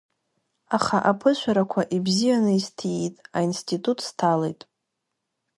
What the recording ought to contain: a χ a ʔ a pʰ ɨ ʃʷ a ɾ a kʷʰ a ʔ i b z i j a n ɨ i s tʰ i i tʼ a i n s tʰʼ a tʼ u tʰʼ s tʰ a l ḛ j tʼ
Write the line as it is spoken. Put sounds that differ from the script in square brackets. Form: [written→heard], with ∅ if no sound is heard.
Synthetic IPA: a χ a ʔ a pʰ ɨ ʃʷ a ɾ a kʷʰ a ʔ i b z i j a n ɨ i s tʰ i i tʼ a i n s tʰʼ [a→i] tʼ u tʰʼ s tʰ a l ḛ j tʼ

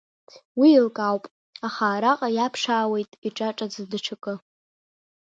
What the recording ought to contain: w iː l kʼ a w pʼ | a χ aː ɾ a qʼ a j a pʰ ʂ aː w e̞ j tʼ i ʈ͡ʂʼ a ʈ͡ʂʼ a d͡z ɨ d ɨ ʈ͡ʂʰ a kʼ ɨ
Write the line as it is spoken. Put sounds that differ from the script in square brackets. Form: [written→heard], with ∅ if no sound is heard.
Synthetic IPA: w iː l kʼ a w pʼ | a χ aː ɾ a qʼ a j a pʰ ʂ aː w e̞ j tʼ i ʈ͡ʂʼ a ʈ͡ʂʼ a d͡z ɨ d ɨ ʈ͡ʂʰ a kʼ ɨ

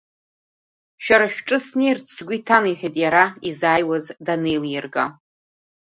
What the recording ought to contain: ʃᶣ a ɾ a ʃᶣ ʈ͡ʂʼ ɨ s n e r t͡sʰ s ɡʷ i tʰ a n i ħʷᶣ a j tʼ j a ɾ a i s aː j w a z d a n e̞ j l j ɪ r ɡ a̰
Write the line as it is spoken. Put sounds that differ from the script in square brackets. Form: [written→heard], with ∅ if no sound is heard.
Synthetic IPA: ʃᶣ a ɾ a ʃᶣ ʈ͡ʂʼ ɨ s n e r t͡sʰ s ɡʷ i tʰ a n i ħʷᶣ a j tʼ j a ɾ a i [s→z] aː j w a z d a n e̞ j l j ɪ r ɡ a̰

